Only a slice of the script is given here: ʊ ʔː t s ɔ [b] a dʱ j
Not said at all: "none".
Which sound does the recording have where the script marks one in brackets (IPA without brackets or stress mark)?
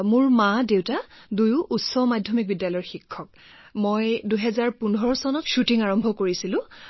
m